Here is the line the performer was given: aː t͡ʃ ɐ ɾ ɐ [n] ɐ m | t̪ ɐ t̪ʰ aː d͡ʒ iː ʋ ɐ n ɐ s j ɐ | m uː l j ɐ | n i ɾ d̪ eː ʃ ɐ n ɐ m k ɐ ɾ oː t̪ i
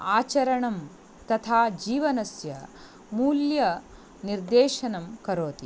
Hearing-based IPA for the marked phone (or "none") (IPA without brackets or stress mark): ɳ